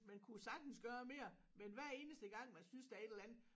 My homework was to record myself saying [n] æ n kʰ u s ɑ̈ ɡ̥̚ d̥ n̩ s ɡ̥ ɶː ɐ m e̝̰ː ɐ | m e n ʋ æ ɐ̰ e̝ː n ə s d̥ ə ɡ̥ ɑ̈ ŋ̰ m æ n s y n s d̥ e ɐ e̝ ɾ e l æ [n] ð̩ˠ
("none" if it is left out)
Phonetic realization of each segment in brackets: m, n

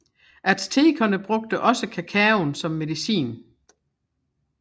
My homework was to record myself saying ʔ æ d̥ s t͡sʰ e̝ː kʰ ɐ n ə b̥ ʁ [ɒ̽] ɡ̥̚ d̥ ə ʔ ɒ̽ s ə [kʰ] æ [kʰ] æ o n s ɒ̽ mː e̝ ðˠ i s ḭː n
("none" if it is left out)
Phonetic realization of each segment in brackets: ɔ̽, kʰ, kʰ

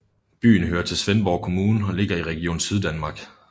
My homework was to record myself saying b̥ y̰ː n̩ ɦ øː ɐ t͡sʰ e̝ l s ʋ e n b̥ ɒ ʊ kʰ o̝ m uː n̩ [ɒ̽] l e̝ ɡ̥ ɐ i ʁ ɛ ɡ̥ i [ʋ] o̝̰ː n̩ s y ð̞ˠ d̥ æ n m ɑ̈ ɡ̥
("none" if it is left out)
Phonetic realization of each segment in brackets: ɒ̽, none

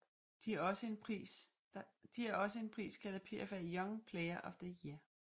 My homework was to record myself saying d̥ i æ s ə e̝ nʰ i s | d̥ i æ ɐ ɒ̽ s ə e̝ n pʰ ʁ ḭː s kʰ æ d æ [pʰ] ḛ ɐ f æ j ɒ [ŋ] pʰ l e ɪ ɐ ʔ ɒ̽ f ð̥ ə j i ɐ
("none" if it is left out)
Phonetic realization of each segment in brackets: pʰ, ŋ

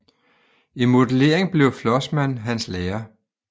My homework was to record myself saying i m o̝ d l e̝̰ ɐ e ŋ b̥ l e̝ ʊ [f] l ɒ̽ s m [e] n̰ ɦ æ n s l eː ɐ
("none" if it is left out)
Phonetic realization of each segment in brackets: f, æ

